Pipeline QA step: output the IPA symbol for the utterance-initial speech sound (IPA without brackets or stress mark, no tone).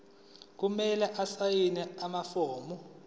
k̬